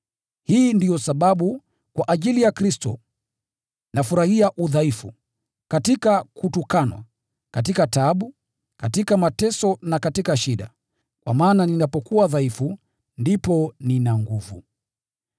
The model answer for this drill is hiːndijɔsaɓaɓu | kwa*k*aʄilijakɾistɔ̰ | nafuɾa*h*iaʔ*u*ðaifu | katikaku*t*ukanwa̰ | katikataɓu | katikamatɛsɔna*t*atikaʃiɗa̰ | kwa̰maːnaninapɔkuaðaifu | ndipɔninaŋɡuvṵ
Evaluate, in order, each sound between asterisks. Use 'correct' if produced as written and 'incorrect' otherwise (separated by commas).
incorrect, correct, correct, correct, incorrect